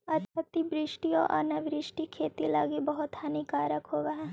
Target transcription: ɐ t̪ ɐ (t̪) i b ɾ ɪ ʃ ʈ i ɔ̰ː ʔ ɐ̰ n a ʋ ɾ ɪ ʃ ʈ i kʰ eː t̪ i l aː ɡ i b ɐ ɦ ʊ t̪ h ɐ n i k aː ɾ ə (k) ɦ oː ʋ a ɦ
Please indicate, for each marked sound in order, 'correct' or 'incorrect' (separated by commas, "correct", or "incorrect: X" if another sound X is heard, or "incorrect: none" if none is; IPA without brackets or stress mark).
correct, correct